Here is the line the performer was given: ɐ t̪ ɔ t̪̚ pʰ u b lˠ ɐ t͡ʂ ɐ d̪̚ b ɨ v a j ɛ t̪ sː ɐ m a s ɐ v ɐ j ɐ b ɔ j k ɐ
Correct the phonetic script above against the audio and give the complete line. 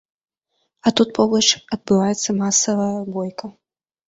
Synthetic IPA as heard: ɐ t̪ u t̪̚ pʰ ɔ b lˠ ɐ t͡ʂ ɐ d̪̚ b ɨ v a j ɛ t̪ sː ɐ m a s ɐ v ɐ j ɐ b ɔ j k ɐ